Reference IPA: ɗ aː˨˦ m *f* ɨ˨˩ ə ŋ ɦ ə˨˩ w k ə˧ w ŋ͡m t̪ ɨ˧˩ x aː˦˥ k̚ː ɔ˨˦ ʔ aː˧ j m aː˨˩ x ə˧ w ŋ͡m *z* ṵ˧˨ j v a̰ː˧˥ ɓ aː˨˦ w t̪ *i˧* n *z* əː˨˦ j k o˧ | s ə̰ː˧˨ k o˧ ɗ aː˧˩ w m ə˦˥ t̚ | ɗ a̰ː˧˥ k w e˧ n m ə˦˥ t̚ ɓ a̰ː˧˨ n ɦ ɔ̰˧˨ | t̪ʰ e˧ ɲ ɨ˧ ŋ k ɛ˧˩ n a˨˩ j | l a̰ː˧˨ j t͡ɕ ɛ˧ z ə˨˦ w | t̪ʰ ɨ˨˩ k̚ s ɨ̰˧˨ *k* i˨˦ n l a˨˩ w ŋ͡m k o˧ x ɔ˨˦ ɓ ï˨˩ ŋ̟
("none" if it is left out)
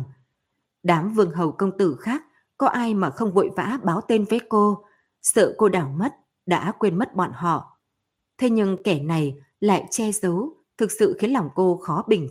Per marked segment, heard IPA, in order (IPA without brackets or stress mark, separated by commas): v, v, e˧, v, x